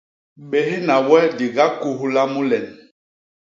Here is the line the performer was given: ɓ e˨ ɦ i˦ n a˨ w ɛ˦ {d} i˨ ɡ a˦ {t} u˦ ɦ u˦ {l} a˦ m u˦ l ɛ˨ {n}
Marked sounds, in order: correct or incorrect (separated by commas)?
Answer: correct, incorrect, correct, correct